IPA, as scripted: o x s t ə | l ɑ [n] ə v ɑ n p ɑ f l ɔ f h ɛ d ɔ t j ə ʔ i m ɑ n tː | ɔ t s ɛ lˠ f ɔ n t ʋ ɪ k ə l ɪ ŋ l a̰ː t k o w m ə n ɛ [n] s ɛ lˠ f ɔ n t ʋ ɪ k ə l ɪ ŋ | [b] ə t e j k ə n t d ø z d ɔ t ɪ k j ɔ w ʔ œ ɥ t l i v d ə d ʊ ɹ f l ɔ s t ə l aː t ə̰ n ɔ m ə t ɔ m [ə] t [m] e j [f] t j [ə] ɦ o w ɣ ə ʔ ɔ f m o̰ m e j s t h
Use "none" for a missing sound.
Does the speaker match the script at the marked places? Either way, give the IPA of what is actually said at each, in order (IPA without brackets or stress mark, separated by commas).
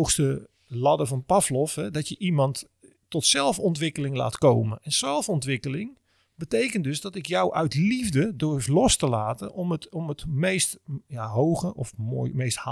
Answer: d, n, b, ə, m, s, a